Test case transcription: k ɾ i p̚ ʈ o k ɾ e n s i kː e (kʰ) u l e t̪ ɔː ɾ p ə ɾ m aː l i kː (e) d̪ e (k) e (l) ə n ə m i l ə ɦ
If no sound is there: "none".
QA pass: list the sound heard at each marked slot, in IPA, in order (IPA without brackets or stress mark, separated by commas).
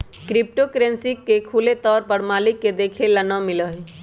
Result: kʰ, e, kʰ, l